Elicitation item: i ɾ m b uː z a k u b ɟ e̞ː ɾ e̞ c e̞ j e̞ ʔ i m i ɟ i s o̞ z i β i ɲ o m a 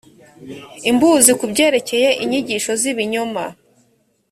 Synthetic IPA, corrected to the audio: i m b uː z i k u b ɟ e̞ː ɾ e̞ c e̞ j e̞ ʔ i ɲ i ɟ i ʃ o̞ z i β i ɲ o m a